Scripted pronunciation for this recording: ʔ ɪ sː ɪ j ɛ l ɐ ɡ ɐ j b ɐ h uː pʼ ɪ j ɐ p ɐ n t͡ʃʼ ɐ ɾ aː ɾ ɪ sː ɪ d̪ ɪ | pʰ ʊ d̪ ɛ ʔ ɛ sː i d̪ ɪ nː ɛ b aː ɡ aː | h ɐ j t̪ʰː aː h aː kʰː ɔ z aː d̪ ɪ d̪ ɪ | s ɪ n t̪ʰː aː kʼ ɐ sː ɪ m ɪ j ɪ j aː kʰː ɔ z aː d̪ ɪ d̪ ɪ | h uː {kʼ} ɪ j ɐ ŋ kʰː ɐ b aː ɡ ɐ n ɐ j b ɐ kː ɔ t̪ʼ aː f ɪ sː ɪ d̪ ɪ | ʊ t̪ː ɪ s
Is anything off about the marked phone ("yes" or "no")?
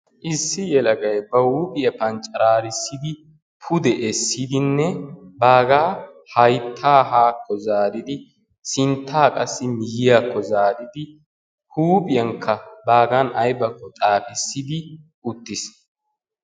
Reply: yes